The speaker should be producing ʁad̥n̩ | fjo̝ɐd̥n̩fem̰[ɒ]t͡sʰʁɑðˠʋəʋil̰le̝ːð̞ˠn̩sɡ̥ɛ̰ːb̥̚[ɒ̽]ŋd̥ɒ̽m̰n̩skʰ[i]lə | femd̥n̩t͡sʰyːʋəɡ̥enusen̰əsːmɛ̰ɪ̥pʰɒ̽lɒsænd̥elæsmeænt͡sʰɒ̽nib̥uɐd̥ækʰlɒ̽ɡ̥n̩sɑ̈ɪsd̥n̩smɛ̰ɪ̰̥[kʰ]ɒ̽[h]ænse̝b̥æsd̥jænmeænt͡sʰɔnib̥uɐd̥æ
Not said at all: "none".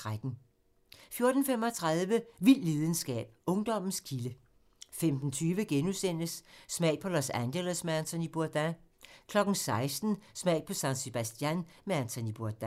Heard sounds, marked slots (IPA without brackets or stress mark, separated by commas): ɒ, ɔ̽, i, pʰ, s